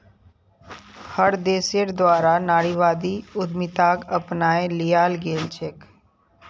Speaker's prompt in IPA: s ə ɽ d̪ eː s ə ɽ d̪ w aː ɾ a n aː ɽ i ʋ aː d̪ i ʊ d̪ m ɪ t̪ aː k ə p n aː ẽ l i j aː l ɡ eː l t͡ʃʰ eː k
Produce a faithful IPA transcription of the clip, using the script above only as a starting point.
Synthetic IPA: h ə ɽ d̪ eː s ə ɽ d̪ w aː ɾ a n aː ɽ i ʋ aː d̪ i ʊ d̪ m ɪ t̪ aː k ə p n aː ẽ l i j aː l ɡ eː l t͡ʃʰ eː k